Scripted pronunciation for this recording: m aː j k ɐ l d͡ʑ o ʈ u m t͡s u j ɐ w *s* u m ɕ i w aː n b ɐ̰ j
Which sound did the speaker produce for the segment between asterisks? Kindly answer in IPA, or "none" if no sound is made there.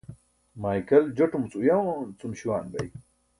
t͡s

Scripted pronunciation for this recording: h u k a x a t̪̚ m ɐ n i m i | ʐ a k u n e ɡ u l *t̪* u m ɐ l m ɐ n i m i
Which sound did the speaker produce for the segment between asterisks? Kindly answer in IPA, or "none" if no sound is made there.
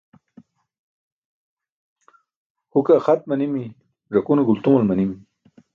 t̪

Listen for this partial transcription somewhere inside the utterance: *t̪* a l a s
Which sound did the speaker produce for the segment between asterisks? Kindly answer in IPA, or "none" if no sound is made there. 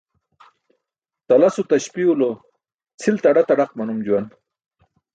t̪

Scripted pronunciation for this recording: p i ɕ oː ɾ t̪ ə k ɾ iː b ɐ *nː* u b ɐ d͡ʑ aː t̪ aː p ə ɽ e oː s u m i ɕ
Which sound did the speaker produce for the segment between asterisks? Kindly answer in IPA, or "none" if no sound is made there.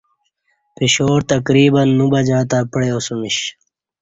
nː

